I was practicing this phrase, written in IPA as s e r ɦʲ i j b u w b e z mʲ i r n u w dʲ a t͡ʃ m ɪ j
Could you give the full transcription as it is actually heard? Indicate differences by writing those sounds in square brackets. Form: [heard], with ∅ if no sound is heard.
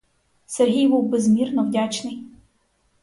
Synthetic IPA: s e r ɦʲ i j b u w b e z mʲ i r n [ɔ] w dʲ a t͡ʃ [n] ɪ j